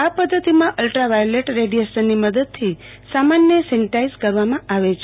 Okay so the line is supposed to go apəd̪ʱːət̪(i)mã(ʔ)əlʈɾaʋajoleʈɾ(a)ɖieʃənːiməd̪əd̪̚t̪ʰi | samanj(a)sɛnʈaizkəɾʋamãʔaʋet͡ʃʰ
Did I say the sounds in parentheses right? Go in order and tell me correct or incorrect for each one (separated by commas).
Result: correct, correct, incorrect, incorrect